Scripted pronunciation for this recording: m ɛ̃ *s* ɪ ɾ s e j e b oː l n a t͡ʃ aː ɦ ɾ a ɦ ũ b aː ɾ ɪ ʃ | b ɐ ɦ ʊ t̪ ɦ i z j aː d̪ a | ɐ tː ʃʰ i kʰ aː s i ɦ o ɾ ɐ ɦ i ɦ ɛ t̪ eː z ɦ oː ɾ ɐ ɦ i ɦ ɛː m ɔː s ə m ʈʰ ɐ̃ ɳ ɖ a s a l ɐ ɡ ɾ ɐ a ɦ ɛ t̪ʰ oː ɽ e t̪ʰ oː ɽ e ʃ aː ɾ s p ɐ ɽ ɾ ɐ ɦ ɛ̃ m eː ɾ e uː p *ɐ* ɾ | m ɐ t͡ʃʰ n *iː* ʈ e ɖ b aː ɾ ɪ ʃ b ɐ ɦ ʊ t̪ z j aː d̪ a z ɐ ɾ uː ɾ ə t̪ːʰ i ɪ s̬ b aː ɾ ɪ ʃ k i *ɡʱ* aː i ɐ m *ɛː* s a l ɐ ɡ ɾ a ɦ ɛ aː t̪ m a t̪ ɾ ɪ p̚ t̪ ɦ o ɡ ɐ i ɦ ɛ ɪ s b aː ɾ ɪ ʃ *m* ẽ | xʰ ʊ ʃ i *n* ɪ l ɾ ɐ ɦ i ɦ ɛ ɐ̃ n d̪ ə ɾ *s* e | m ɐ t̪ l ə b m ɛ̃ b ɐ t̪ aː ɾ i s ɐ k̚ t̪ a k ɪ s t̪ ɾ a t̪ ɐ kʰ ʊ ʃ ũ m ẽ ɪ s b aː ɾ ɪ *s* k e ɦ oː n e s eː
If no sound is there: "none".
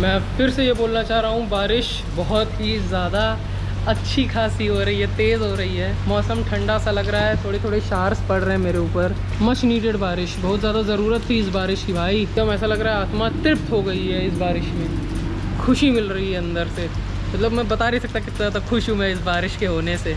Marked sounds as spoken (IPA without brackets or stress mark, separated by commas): f, ə, iː, bʱ, ɛː, m, m, s, ʃ